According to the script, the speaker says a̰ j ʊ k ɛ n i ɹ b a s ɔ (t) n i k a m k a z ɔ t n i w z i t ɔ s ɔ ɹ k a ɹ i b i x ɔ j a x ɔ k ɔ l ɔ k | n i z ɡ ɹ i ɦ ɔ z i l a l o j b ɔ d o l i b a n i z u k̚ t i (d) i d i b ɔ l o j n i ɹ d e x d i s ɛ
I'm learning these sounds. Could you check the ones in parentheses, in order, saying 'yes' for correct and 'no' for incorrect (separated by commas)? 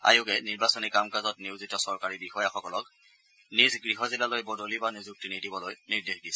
no, no